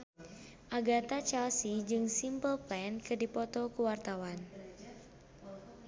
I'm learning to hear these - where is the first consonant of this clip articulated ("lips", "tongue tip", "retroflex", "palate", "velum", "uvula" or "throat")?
throat